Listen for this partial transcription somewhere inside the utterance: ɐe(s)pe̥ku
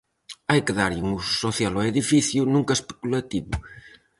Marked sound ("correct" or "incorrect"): correct